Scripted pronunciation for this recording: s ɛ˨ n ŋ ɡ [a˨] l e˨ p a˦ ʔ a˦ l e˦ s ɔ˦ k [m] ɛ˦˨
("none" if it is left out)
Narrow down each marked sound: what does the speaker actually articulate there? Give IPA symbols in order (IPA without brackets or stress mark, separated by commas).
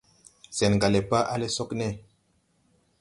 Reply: a˨, n